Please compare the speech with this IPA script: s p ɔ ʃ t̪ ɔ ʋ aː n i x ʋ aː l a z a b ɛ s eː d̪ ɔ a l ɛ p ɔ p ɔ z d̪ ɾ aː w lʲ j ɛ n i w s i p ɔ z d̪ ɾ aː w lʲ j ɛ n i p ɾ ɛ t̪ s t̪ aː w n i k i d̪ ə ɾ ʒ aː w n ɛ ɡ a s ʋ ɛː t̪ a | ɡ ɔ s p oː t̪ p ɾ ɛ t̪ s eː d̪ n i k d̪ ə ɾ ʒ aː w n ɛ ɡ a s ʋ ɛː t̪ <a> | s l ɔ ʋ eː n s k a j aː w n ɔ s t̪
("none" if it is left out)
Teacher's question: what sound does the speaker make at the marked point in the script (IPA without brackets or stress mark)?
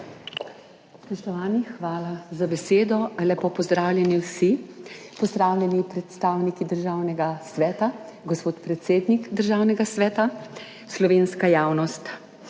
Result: a